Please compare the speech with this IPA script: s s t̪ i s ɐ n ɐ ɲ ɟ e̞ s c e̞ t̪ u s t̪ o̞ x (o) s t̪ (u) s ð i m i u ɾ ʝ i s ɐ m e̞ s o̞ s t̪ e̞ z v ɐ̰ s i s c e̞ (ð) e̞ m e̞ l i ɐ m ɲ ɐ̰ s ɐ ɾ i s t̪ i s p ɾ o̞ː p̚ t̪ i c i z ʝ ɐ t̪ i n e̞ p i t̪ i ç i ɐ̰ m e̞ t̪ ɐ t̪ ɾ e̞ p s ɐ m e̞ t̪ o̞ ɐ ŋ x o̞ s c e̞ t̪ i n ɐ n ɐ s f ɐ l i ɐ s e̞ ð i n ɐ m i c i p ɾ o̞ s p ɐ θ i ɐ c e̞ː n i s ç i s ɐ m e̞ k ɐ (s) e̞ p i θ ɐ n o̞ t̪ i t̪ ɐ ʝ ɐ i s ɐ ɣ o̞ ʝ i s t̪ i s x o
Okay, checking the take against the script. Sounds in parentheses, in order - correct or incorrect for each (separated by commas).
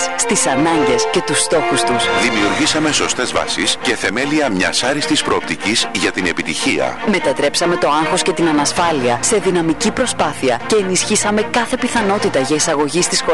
incorrect, correct, incorrect, incorrect